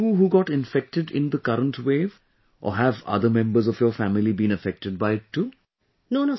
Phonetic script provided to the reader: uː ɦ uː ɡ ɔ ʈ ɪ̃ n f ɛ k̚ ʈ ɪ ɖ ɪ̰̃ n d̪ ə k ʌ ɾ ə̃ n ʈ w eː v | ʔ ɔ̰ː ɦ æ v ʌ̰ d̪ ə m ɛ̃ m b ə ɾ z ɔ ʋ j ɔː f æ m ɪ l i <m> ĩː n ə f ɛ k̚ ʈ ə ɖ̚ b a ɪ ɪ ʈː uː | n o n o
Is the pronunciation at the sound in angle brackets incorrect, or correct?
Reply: incorrect